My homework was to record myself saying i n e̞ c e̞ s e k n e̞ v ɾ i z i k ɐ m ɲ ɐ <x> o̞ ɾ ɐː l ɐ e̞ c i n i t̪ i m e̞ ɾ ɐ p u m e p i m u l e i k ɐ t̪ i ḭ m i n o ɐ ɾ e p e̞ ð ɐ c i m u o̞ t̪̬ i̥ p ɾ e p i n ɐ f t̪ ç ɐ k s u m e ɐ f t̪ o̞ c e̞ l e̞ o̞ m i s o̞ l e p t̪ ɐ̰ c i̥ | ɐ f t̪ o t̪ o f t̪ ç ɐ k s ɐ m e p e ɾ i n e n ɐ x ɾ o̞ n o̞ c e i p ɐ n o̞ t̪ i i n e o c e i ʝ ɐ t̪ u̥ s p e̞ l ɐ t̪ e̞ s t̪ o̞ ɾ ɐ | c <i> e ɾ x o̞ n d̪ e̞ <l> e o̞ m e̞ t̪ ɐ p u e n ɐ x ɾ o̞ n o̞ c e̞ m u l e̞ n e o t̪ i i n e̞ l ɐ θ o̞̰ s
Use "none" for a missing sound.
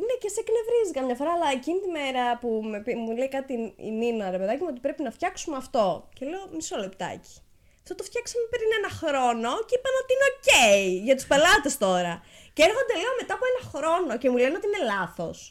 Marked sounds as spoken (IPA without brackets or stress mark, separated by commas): f, e, l